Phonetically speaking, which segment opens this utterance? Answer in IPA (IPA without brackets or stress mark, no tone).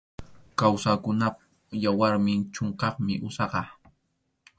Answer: k